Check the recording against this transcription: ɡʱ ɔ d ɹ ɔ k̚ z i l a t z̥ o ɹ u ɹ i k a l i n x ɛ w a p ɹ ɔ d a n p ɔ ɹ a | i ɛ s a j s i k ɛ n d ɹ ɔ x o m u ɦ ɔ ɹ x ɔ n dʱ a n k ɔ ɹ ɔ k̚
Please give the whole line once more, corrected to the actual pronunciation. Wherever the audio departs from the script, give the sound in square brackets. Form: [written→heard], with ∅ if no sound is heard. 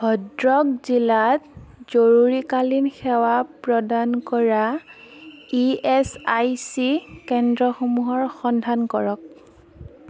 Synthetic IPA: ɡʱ ɔ d ɹ ɔ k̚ z i l a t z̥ o ɹ u ɹ i k a l i n x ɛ w a p ɹ ɔ d a n [p→k] ɔ ɹ a | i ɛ s a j s i k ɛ n d ɹ ɔ x o m u ɦ ɔ ɹ x ɔ n dʱ a n k ɔ ɹ ɔ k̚